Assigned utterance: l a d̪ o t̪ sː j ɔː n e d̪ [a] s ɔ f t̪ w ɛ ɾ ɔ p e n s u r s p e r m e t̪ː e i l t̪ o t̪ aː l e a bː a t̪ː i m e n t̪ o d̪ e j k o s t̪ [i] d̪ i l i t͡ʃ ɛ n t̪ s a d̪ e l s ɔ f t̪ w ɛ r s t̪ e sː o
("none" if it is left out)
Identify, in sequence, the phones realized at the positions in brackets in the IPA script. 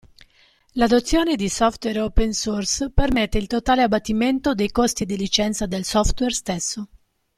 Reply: i, i

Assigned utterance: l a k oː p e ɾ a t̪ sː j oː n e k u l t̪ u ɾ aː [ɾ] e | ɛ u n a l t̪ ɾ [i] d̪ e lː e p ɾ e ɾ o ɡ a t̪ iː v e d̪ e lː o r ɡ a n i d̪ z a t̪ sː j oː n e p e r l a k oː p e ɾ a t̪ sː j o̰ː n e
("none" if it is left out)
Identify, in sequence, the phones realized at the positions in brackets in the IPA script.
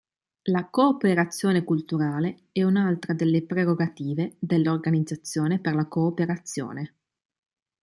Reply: l, a

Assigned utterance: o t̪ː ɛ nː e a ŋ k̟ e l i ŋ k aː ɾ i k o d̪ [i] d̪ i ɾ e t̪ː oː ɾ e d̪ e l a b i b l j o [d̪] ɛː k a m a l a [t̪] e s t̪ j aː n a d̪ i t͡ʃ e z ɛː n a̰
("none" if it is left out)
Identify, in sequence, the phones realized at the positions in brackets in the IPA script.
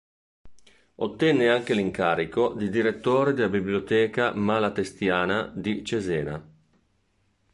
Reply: i, t̪, t̪

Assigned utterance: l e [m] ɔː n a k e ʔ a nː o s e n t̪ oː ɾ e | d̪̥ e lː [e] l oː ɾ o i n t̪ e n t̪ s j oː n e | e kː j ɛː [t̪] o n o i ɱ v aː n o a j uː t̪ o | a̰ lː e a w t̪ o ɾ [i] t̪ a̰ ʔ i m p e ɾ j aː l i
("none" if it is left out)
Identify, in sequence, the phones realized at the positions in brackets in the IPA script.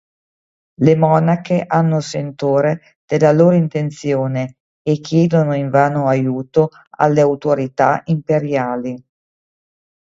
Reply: m, a, d̪, i

